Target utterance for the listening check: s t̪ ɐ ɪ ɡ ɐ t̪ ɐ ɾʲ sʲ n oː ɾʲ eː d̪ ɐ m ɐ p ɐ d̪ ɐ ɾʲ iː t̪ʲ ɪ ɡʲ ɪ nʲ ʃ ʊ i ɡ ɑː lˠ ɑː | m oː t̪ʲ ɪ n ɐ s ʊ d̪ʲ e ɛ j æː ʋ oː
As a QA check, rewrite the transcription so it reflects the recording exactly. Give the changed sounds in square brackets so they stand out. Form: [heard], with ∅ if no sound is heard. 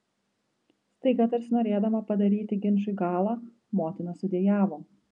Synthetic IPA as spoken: s t̪ ɐ ɪ ɡ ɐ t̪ ɐ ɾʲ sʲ n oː ɾʲ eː d̪ ɐ m ɐ p ɐ d̪ ɐ ɾʲ iː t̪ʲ ɪ ɡʲ ɪ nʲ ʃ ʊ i ɡ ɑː lˠ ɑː | m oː t̪ʲ ɪ n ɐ s ʊ d̪ʲ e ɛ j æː ʋ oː